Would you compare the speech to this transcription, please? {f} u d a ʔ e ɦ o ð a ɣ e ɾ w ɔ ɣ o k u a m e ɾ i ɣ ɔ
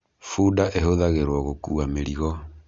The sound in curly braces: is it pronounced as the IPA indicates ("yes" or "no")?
yes